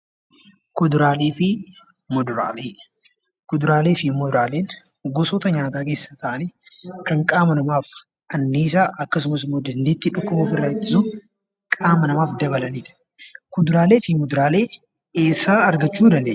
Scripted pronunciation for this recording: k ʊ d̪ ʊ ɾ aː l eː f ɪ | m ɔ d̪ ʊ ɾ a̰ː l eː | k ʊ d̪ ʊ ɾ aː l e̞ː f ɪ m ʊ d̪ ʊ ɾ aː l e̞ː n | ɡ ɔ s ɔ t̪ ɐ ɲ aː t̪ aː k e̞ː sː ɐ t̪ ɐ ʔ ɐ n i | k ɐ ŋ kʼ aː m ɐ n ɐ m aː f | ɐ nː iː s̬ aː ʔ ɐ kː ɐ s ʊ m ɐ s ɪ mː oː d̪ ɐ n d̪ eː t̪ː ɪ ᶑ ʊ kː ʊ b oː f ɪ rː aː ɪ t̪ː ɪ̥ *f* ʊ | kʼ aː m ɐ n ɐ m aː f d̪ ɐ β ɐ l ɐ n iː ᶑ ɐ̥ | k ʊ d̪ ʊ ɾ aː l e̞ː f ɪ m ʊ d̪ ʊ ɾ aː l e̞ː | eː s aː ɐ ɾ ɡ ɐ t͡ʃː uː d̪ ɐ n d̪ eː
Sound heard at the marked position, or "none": s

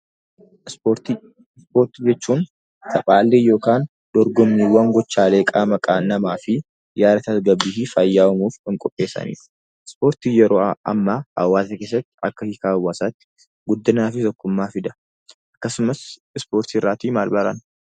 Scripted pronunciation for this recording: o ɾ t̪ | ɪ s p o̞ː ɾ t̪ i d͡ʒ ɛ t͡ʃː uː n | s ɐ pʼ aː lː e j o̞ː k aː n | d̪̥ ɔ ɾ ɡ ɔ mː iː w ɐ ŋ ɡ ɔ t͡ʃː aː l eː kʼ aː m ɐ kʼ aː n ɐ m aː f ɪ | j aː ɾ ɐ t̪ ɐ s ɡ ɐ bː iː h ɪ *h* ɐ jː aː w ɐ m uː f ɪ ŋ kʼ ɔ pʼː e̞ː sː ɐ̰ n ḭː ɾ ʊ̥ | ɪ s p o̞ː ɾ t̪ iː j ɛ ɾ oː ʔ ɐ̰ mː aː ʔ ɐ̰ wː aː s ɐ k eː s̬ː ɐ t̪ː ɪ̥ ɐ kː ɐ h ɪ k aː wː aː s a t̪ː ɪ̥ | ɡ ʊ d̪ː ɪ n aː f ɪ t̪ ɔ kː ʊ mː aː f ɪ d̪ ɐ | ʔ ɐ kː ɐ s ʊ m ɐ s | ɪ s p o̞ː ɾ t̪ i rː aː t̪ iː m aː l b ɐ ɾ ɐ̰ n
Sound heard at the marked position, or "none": f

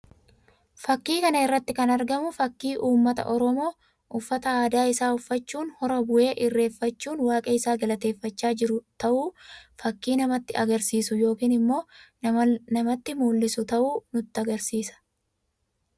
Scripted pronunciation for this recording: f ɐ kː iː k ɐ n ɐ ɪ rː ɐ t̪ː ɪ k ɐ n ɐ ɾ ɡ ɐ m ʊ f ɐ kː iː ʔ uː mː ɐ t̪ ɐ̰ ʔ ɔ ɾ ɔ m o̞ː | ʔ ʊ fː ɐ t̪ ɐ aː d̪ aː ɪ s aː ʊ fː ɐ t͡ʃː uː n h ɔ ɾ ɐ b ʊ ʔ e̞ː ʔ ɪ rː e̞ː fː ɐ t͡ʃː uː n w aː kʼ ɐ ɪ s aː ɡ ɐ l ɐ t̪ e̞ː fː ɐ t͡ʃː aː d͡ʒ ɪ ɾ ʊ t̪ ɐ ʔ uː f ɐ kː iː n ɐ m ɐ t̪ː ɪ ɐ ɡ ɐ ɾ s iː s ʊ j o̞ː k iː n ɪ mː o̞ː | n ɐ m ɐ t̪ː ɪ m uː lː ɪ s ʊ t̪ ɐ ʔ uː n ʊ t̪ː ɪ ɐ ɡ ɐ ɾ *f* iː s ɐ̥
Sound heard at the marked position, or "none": s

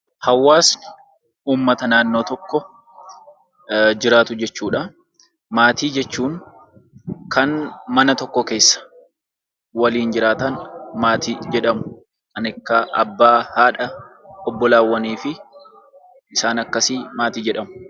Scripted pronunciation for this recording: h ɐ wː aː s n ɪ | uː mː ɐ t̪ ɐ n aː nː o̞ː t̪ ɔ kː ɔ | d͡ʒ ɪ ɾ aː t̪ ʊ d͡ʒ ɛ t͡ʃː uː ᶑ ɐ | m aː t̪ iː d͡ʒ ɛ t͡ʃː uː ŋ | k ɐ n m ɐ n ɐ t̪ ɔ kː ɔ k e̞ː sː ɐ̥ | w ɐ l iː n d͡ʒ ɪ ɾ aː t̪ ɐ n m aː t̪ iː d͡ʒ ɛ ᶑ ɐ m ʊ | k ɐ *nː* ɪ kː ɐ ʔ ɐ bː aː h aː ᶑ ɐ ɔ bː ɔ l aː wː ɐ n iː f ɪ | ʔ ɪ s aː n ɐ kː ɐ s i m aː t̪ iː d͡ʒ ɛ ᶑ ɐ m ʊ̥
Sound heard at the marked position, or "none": n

